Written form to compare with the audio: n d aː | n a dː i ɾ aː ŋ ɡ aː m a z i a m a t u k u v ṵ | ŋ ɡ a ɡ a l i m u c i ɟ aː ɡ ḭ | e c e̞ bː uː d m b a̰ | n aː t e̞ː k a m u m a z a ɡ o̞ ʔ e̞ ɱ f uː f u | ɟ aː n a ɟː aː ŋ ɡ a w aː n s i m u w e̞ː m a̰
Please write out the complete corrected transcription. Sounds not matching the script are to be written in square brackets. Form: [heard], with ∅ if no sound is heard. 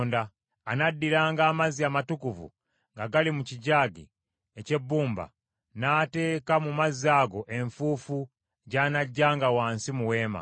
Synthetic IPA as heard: n d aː | n a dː i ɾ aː ŋ ɡ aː m a z i a m a t u k u v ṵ | ŋ ɡ a ɡ a l i m u c i ɟ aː ɡ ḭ | e c e̞ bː uː [∅] m b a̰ | n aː t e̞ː k a m u m a z a ɡ o̞ ʔ e̞ ɱ f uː f u | ɟ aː n a ɟː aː ŋ ɡ a w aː n s i m u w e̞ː m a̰

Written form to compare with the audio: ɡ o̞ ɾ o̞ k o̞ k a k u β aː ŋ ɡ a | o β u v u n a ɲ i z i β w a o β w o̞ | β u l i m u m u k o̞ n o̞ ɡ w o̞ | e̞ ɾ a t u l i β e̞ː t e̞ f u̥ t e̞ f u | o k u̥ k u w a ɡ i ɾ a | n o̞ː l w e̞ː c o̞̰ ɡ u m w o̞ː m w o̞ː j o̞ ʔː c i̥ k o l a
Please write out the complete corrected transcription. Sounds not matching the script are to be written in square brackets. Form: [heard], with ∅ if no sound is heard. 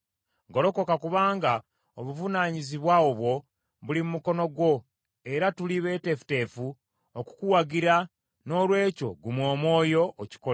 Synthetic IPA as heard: ɡ o̞ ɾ o̞ k o̞ k a k u β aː ŋ ɡ a | o β u v u n a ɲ i z i β w a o β w o̞ | β u l i m u m u k o̞ n o̞ ɡ w o̞ | e̞ ɾ a t u l i β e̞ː t e̞ f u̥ t e̞ f u | o k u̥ k u w a ɡ i ɾ a | n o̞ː l w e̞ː c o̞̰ ɡ u m w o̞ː m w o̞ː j o̞ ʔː c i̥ k o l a

